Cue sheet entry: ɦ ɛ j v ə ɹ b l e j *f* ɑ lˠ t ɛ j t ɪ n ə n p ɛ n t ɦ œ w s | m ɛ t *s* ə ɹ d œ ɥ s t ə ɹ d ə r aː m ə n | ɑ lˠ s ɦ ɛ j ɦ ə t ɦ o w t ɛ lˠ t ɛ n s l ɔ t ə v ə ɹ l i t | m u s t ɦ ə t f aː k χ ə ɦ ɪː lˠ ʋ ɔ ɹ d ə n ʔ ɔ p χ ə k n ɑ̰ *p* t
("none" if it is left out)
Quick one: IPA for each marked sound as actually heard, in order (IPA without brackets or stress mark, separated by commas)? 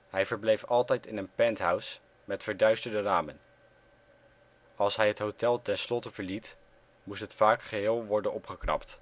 f, f, p